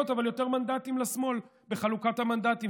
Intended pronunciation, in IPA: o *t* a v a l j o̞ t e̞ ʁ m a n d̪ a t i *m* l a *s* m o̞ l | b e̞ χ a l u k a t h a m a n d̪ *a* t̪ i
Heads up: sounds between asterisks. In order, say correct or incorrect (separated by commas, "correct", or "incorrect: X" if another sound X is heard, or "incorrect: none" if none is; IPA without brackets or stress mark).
correct, correct, correct, correct